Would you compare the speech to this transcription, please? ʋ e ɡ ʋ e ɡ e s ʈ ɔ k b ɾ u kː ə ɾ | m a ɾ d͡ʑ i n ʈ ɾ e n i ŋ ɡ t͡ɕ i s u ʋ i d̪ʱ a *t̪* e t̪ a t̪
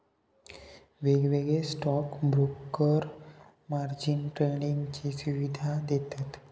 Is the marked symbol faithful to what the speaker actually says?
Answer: no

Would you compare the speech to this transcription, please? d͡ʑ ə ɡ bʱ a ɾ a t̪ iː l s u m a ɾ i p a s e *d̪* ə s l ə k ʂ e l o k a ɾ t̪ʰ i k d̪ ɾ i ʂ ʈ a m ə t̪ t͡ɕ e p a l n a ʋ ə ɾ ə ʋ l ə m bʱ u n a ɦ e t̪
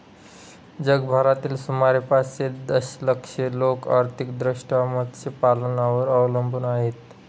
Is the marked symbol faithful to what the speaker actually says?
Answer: yes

